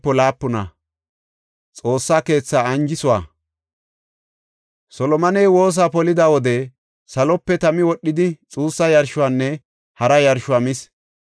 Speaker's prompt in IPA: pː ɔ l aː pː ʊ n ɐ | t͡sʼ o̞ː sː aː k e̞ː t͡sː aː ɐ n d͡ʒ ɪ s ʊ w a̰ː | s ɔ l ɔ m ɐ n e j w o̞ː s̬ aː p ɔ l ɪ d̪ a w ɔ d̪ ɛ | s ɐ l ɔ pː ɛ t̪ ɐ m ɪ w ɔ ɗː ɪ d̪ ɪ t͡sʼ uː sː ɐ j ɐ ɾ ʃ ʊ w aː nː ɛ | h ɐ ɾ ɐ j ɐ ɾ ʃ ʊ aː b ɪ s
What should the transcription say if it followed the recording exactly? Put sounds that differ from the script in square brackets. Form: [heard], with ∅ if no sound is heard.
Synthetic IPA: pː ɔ l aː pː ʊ n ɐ | t͡sʼ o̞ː sː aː k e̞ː t͡sː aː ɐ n d͡ʒ ɪ s ʊ w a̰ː | s ɔ l ɔ m ɐ n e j w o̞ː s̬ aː p ɔ l ɪ d̪ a w ɔ d̪ ɛ | s ɐ l ɔ pː ɛ t̪ ɐ m ɪ w ɔ ɗː ɪ d̪ ɪ t͡sʼ uː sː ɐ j ɐ ɾ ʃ ʊ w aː nː ɛ | h ɐ ɾ ɐ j ɐ ɾ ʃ ʊ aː [m] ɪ s

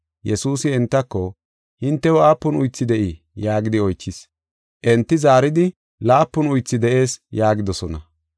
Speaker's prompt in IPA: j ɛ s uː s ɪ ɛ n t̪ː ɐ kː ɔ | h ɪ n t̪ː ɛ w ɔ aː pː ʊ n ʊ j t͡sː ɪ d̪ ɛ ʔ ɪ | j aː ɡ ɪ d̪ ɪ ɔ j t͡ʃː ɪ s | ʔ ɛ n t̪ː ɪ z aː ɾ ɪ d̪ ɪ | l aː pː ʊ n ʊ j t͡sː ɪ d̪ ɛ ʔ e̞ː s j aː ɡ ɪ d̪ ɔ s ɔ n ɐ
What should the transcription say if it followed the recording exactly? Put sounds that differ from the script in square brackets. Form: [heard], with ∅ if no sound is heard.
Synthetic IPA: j ɛ s uː s ɪ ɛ n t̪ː ɐ kː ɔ | h ɪ n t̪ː ɛ w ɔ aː pː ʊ n ʊ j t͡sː ɪ d̪ ɛ ʔ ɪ | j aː ɡ ɪ d̪ ɪ ɔ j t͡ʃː ɪ s | ʔ ɛ n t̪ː ɪ z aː ɾ ɪ d̪ ɪ | l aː pː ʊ n ʊ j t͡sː ɪ d̪ ɛ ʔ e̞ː s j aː ɡ ɪ d̪ ɔ s ɔ n ɐ

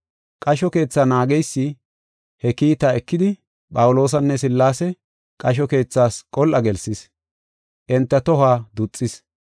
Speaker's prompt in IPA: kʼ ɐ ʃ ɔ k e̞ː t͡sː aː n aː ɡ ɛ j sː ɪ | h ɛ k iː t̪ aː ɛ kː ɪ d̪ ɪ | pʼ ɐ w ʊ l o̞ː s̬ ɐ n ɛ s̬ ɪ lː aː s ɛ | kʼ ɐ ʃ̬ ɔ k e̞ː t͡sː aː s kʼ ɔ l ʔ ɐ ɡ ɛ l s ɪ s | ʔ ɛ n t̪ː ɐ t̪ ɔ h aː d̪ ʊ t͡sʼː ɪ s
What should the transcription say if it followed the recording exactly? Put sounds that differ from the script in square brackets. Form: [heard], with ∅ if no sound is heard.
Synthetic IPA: kʼ ɐ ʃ ɔ k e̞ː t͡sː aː n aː ɡ ɛ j sː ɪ | h ɛ k iː t̪ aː ɛ kː ɪ d̪ ɪ | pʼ ɐ w ʊ l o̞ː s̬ ɐ [nː] ɛ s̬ ɪ lː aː s ɛ | kʼ ɐ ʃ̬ ɔ k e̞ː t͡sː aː s kʼ ɔ l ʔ ɐ ɡ ɛ l s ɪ s | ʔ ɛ n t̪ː ɐ t̪ ɔ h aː d̪ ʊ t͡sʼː ɪ s

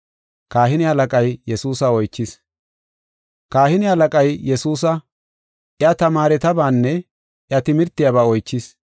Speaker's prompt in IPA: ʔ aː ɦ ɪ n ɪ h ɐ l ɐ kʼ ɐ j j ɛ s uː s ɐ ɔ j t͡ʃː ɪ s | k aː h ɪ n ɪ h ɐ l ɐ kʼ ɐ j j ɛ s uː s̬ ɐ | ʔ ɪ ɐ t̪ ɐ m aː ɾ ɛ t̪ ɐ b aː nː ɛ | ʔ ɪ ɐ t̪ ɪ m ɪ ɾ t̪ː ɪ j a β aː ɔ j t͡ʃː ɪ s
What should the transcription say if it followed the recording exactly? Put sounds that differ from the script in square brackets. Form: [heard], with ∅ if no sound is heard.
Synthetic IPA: [k] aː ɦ ɪ n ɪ h ɐ l ɐ kʼ ɐ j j ɛ s uː s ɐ ɔ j t͡ʃː ɪ s | k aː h ɪ n ɪ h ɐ l ɐ kʼ ɐ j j ɛ s uː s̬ ɐ | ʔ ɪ ɐ t̪ ɐ m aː ɾ ɛ t̪ ɐ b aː nː ɛ | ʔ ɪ ɐ t̪ ɪ m ɪ ɾ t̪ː ɪ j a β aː ɔ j t͡ʃː ɪ s

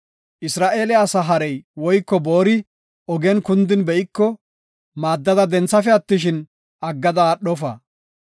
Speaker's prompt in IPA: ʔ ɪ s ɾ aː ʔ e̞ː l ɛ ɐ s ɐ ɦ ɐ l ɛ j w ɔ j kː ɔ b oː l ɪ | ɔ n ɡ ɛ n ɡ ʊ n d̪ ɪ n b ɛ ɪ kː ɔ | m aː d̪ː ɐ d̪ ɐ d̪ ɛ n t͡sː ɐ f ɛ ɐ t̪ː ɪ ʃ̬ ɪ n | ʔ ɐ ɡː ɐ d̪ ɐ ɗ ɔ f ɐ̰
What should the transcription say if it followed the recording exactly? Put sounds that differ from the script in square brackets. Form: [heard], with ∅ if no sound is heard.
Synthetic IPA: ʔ ɪ s ɾ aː ʔ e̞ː l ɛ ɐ s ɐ ɦ ɐ [ɾ] ɛ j w ɔ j kː ɔ b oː [ɾ] ɪ | ɔ [∅] ɡ ɛ n [k] ʊ n d̪ ɪ n b ɛ ɪ kː ɔ | m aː d̪ː ɐ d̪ ɐ d̪ ɛ n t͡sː ɐ f ɛ ɐ t̪ː ɪ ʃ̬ ɪ n | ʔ ɐ ɡː ɐ d̪ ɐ ɗ ɔ f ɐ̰

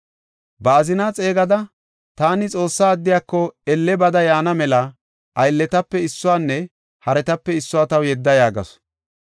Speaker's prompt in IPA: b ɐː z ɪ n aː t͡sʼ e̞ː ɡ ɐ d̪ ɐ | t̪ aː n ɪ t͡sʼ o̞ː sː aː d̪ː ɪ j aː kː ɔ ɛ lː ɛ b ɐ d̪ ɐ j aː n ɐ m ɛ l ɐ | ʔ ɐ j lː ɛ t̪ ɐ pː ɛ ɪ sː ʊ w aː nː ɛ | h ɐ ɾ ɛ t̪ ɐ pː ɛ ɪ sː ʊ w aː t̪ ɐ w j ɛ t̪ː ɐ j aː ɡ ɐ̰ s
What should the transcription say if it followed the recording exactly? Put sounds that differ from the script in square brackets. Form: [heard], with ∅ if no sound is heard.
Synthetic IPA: b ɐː z ɪ n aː t͡sʼ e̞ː ɡ ɐ d̪ ɐ | t̪ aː n ɪ t͡sʼ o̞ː sː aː d̪ː ɪ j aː kː ɔ ɛ lː ɛ b ɐ d̪ ɐ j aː n ɐ m ɛ l ɐ | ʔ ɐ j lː ɛ t̪ ɐ pː ɛ ɪ sː ʊ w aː nː ɛ | h ɐ ɾ ɛ t̪ ɐ pː ɛ ɪ sː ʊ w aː t̪ ɐ w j ɛ [d̪ː] ɐ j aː ɡ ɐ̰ s

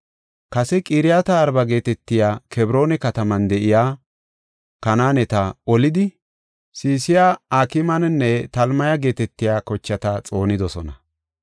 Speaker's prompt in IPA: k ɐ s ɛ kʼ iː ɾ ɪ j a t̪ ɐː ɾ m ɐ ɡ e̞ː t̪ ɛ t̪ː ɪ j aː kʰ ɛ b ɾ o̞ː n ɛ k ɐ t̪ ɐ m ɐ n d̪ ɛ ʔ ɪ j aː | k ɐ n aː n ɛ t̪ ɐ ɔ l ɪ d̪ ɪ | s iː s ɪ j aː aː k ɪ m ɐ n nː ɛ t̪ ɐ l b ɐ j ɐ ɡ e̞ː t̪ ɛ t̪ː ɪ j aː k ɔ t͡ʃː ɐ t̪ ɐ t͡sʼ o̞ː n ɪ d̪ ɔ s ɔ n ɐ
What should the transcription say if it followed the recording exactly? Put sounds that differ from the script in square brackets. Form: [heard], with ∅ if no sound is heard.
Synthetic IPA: k ɐ s ɛ kʼ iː ɾ ɪ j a t̪ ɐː ɾ [b] ɐ ɡ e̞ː t̪ ɛ t̪ː ɪ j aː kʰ ɛ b ɾ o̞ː n ɛ k ɐ t̪ ɐ m ɐ n d̪ ɛ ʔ ɪ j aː | k ɐ n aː n ɛ t̪ ɐ ɔ l ɪ d̪ ɪ | s iː s ɪ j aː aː k ɪ m ɐ n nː ɛ t̪ ɐ l [m] ɐ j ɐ ɡ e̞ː t̪ ɛ t̪ː ɪ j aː k ɔ t͡ʃː ɐ t̪ ɐ t͡sʼ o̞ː n ɪ d̪ ɔ s ɔ n ɐ

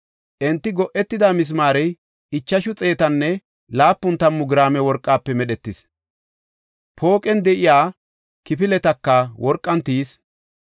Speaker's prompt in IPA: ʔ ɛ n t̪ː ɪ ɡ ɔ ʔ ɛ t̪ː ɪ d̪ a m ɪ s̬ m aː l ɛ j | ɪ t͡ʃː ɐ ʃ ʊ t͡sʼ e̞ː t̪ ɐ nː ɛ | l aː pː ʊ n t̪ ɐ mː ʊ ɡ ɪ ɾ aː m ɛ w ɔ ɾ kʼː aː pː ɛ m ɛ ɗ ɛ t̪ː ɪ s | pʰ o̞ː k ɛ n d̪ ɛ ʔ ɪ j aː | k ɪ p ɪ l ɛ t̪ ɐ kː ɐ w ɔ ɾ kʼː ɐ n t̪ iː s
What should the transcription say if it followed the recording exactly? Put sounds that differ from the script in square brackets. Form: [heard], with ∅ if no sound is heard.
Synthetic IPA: ʔ ɛ n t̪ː ɪ ɡ ɔ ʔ ɛ t̪ː ɪ d̪ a m ɪ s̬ m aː [ɾ] ɛ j | ɪ t͡ʃː ɐ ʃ ʊ t͡sʼ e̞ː t̪ ɐ nː ɛ | l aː pː ʊ n t̪ ɐ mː ʊ ɡ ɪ ɾ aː m ɛ w ɔ ɾ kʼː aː pː ɛ m ɛ ɗ ɛ t̪ː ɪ s | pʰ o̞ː [kʼ] ɛ n d̪ ɛ ʔ ɪ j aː | k ɪ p ɪ l ɛ t̪ ɐ kː ɐ w ɔ ɾ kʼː ɐ n t̪ iː s

